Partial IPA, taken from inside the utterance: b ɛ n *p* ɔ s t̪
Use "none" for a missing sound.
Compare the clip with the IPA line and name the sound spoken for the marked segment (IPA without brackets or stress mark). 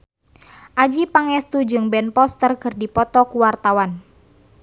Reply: p